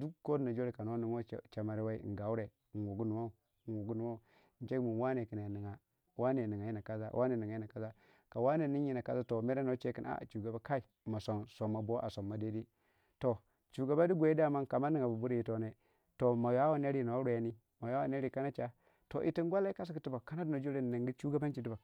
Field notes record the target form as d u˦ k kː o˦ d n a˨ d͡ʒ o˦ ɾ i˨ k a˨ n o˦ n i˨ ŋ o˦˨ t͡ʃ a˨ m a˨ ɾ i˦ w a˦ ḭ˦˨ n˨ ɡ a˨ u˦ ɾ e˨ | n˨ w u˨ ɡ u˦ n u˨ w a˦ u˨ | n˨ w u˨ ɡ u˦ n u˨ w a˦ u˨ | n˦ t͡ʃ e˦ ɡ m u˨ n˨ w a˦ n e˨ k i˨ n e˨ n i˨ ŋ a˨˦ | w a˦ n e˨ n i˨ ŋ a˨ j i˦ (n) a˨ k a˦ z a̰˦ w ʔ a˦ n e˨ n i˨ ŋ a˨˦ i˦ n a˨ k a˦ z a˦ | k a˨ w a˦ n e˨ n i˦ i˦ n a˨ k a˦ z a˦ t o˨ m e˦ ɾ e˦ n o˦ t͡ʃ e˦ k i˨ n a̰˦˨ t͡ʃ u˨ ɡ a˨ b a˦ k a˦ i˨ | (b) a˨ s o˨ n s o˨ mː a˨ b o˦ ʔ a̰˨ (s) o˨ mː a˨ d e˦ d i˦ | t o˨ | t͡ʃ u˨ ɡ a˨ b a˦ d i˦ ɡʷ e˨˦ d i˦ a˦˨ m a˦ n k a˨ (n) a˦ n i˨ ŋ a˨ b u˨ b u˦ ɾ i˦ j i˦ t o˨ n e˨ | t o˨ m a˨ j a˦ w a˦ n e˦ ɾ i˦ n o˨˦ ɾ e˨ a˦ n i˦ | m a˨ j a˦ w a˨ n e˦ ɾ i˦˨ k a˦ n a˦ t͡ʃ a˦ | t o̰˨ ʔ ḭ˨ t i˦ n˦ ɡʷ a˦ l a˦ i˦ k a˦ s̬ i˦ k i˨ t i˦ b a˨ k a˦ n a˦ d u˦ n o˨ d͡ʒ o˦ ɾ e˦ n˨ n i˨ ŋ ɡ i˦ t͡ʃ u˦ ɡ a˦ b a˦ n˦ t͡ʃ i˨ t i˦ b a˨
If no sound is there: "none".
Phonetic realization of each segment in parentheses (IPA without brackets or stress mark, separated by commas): n, m, s, m